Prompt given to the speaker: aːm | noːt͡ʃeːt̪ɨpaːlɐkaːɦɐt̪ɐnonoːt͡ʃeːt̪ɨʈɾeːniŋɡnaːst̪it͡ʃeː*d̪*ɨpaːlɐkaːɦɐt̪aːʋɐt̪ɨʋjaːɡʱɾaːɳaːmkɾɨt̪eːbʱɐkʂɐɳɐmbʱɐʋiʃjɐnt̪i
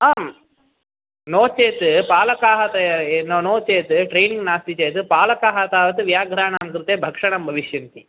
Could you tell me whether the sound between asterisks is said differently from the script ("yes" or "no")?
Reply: yes